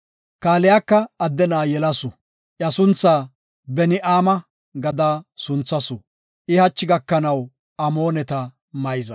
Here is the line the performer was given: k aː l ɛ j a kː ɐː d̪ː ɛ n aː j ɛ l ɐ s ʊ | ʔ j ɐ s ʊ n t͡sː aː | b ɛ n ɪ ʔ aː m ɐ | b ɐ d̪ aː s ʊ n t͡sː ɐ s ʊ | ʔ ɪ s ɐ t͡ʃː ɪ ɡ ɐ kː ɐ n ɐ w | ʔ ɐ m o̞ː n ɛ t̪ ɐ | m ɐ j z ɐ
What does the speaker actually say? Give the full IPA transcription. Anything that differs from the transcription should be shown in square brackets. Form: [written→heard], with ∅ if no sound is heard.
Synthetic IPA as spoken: k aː l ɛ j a kː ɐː d̪ː ɛ n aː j ɛ l ɐ s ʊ | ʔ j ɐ s ʊ n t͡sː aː | b ɛ n ɪ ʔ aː m ɐ | [b→ɡ] ɐ d̪ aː s ʊ n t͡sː ɐ s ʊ | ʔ ɪ [s→h] ɐ t͡ʃː ɪ ɡ ɐ kː ɐ n ɐ w | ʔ ɐ m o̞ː n ɛ t̪ ɐ | m ɐ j z ɐ